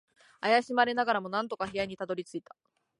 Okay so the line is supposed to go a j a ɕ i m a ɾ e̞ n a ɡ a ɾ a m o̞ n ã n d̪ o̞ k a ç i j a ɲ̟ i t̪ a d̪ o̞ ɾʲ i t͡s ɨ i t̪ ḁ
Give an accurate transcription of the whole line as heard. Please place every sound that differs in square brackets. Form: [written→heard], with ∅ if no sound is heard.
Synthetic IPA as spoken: a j a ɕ i m a ɾ e̞ n a ɡ a ɾ a m o̞ n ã n [d̪→t̪] o̞ k a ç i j a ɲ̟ i t̪ a d̪ o̞ ɾʲ i t͡s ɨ i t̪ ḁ